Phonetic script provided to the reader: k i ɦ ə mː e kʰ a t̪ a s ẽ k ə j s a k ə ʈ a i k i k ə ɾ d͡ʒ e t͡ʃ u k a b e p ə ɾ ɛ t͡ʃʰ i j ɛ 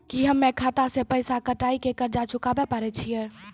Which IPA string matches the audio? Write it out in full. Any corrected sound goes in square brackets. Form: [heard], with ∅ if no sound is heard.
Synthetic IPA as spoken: k i ɦ ə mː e kʰ a t̪ a s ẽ [p] ə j s a k ə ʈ a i k [e] k ə ɾ d͡ʒ [a] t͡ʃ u k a b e p ə ɾ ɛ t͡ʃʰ i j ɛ